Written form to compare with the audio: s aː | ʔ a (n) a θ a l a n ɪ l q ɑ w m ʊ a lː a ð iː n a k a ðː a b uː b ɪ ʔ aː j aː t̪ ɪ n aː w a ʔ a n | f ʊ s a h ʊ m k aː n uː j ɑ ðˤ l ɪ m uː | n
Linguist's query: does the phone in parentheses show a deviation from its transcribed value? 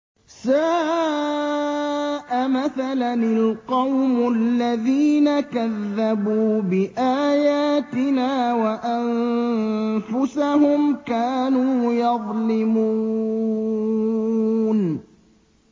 yes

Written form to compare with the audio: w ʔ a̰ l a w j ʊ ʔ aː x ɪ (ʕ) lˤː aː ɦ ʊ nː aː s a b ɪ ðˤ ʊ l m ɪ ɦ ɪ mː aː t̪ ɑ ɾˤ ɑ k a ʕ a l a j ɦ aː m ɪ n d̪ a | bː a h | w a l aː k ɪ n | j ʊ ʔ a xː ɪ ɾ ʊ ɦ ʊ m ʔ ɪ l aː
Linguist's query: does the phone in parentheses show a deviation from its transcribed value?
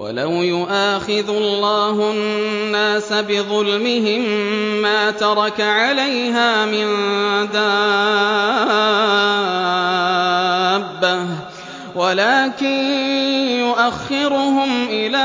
yes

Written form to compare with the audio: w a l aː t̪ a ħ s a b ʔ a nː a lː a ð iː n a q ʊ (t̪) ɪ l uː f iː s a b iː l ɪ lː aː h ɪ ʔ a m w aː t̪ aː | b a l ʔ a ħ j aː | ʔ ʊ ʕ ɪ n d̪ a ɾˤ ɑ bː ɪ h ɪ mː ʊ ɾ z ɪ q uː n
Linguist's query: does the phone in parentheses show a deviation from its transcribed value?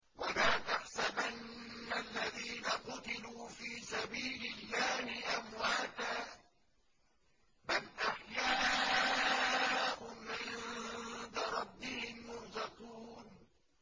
no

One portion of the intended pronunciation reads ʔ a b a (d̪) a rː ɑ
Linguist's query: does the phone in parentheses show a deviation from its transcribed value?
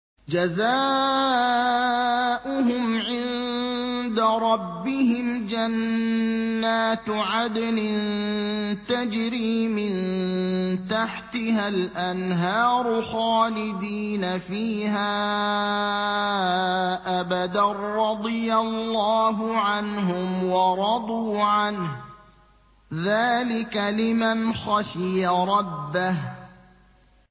no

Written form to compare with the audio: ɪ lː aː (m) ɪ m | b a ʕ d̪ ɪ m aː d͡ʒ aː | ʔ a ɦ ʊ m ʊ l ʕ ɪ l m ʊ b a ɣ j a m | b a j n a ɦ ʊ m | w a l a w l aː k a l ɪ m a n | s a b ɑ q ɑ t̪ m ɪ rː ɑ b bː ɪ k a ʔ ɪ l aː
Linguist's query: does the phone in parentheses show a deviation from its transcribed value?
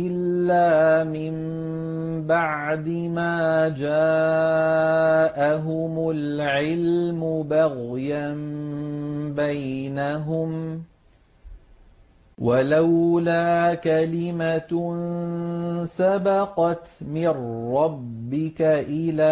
no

